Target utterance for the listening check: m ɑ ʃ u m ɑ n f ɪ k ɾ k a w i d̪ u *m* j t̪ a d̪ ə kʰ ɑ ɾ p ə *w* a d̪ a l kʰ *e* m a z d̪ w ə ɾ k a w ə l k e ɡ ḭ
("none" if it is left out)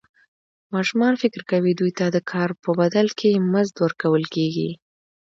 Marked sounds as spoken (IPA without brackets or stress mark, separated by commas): none, b, e